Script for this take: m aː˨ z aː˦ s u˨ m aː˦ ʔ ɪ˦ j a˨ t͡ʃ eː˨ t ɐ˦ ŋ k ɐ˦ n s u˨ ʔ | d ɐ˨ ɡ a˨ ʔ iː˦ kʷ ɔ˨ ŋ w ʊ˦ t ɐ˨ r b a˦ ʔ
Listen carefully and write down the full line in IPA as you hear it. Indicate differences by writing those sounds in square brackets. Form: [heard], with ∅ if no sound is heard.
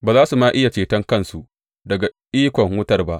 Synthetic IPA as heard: [b] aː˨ z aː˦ s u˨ m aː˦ ʔ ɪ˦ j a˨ t͡ʃ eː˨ t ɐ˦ ŋ k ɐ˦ n s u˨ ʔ | d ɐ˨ ɡ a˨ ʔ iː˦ kʷ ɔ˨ ŋ w ʊ˦ t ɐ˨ r b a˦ ʔ